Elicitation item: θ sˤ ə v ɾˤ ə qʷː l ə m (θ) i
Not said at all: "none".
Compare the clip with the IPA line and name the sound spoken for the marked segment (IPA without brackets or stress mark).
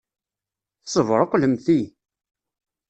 θ